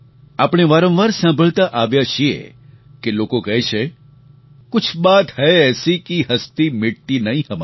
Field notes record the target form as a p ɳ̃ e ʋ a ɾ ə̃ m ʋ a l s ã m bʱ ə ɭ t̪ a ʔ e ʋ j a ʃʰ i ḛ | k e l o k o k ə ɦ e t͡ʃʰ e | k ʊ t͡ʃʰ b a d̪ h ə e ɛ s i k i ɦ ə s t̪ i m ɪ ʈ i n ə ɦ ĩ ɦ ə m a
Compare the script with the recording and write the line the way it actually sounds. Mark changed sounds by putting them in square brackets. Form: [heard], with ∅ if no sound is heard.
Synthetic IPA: a p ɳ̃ e ʋ a ɾ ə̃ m ʋ a [ɾ] s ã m bʱ ə ɭ t̪ a ʔ [a] ʋ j a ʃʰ i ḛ | k e l o k o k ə ɦ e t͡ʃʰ e | k ʊ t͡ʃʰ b a [t̪] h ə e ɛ s i k i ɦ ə s t̪ i m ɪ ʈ i n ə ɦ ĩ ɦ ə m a